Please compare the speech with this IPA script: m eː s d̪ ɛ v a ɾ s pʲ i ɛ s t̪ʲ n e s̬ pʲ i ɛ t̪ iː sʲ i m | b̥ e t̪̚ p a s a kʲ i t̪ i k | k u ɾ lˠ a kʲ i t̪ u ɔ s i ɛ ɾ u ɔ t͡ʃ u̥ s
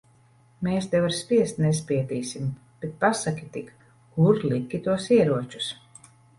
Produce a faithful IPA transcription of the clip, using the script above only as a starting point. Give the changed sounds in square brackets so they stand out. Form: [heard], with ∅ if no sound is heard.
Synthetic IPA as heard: m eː s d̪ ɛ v a ɾ s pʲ i ɛ s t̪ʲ n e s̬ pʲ i ɛ t̪ iː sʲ i m | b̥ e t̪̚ p a s a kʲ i t̪ i k | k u ɾ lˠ [i] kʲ i t̪ u ɔ s i ɛ ɾ u ɔ t͡ʃ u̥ s